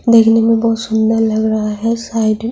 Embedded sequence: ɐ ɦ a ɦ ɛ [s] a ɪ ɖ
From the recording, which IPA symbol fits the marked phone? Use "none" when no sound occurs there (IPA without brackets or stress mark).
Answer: s